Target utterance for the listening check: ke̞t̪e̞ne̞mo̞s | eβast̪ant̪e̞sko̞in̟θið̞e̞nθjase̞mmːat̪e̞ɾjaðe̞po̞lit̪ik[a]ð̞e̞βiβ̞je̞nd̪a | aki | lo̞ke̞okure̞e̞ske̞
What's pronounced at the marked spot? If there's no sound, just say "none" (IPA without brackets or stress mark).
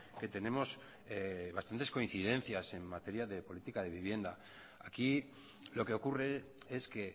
a